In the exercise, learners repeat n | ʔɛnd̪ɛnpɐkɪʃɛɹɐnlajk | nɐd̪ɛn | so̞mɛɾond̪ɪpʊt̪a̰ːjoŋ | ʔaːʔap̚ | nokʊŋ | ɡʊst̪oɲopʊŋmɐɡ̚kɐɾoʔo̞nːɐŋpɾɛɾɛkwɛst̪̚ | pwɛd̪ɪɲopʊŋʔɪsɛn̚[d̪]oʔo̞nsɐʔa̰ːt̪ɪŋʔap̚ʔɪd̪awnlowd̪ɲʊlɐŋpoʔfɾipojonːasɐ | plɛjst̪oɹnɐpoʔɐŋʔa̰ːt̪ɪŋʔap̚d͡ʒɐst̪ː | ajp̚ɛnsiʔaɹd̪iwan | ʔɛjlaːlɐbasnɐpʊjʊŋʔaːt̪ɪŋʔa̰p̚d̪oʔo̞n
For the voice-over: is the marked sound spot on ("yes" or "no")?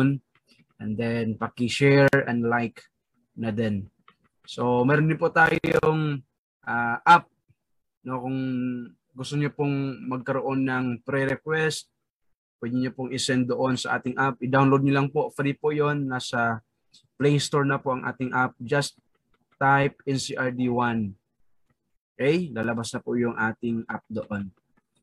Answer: yes